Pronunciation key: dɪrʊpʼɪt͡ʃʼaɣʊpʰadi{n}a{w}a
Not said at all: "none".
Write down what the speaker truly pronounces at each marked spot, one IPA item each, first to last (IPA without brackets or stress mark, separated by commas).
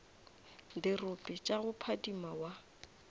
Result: m, w